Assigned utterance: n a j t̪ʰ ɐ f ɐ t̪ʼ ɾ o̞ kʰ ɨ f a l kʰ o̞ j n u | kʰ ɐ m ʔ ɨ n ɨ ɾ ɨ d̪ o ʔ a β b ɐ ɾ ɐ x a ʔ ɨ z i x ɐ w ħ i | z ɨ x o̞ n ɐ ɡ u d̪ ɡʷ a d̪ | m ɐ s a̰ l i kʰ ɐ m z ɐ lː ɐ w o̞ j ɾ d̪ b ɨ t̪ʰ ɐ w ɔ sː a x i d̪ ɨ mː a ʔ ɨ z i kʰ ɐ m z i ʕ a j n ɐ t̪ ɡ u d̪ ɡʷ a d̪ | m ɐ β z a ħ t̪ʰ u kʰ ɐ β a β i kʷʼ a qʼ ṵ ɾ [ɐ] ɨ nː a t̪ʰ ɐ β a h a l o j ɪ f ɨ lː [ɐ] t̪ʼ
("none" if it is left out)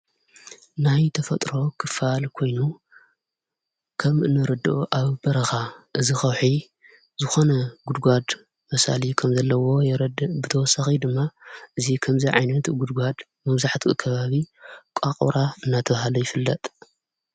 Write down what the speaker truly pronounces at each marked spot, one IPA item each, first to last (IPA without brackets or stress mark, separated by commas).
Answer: a, ɐ